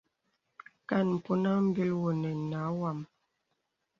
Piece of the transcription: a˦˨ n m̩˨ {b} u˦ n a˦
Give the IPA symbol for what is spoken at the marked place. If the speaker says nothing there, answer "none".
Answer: p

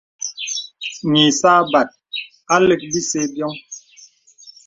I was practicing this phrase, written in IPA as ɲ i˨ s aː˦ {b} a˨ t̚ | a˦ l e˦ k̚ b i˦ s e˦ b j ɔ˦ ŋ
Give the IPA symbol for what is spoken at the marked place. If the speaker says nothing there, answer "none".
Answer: b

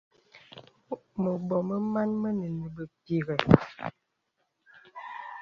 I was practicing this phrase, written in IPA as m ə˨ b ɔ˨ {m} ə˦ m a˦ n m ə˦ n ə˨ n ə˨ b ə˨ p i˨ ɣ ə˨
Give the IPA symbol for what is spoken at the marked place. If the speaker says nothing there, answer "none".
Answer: m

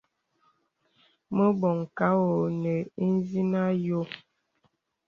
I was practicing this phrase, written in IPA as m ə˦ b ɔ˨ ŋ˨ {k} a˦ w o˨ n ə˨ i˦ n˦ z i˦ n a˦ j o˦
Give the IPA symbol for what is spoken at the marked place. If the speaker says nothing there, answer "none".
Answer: k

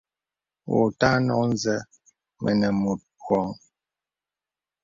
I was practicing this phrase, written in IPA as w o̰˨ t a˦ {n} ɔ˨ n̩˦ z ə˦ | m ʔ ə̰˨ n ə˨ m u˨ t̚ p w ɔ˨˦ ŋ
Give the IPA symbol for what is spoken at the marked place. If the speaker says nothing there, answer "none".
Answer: n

